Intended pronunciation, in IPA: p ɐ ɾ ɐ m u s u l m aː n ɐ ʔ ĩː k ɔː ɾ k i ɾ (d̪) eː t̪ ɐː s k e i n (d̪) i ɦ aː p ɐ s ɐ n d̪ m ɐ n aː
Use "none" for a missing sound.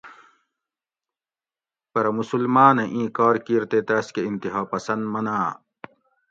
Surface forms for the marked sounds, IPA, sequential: t̪, t̪

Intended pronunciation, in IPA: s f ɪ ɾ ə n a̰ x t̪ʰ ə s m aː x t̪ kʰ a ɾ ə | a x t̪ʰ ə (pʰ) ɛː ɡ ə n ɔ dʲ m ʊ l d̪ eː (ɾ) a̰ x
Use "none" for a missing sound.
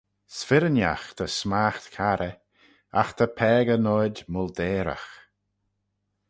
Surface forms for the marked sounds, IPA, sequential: pʰ, ɾ

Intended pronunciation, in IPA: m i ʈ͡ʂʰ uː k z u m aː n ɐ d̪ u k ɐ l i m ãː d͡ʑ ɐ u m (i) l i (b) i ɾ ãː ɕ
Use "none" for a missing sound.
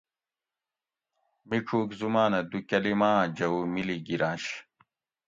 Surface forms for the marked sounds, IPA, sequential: i, ɡ

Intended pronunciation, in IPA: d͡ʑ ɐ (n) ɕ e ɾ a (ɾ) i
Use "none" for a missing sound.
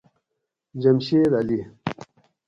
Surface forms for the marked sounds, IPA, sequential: m, l

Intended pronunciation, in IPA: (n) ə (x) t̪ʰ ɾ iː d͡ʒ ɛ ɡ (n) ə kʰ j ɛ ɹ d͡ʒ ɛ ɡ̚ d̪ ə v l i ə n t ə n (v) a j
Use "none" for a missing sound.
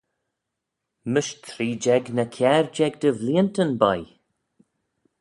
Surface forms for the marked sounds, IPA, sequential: m, ʃ, n, b

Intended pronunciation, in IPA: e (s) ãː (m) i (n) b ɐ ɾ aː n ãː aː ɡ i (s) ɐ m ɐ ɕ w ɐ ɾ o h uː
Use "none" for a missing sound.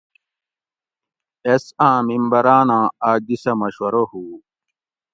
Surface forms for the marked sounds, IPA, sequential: s, m, m, s

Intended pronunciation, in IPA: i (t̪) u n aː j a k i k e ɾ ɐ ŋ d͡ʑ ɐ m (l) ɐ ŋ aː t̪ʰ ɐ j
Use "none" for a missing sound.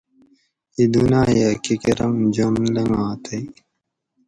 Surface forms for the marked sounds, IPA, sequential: d̪, l

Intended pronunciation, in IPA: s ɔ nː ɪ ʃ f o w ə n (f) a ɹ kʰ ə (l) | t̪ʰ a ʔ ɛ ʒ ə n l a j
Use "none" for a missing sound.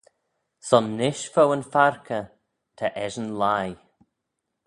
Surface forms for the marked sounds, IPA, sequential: f, none

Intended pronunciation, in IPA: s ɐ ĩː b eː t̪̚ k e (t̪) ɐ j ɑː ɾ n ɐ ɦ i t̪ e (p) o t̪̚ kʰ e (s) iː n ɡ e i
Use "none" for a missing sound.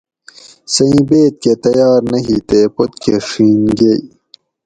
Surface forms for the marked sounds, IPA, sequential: t̪, p, ʂ

